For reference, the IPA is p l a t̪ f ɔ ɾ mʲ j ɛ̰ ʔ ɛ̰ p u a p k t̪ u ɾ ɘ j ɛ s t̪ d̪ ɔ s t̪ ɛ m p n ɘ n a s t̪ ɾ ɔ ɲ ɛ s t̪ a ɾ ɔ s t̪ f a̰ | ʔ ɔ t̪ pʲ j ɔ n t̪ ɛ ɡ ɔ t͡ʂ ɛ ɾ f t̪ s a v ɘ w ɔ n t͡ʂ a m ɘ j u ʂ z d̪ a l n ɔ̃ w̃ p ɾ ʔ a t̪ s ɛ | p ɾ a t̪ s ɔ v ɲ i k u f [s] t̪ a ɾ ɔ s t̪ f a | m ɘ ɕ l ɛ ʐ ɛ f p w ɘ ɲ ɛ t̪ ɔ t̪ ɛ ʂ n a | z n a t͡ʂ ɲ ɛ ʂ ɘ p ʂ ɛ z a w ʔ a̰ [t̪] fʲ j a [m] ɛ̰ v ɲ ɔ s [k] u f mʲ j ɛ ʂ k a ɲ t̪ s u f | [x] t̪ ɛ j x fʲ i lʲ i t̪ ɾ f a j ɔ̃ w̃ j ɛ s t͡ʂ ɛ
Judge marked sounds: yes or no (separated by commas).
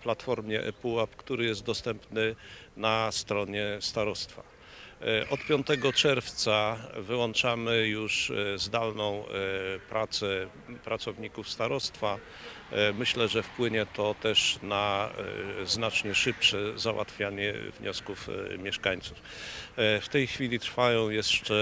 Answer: yes, yes, no, yes, no